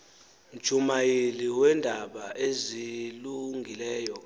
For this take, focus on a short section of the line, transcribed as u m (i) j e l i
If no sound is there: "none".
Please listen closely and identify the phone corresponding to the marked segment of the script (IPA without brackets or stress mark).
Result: a